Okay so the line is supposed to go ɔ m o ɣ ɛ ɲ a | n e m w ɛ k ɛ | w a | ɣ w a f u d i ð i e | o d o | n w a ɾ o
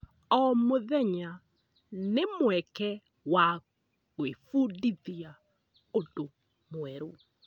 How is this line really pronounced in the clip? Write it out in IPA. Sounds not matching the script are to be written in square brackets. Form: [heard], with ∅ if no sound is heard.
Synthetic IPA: ɔ m o [ð] ɛ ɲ a | n e m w ɛ k ɛ | w a | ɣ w [e] f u d i ð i [a] | o d o | [m] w [ɛ] ɾ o